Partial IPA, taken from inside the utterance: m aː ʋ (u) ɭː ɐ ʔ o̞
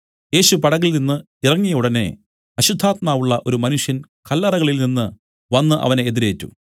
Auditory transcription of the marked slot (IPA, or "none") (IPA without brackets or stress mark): u